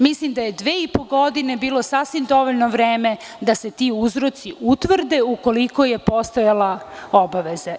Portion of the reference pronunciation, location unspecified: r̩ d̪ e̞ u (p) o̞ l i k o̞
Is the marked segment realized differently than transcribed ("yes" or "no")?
yes